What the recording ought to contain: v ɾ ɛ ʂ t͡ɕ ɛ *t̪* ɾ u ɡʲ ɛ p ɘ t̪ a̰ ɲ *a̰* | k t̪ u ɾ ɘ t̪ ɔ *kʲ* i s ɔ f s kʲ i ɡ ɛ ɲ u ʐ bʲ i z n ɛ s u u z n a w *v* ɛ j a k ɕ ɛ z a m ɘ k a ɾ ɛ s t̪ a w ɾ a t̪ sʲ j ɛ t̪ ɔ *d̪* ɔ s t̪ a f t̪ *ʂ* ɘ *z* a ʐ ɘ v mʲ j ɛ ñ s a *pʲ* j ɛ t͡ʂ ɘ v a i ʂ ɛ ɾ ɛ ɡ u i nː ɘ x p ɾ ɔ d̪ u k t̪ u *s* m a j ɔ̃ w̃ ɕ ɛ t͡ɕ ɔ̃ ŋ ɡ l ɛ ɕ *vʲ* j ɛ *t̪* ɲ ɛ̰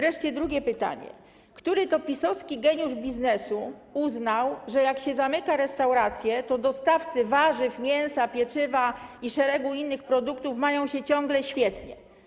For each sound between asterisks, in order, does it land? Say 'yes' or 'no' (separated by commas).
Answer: no, no, no, no, yes, no, no, yes, no, no, yes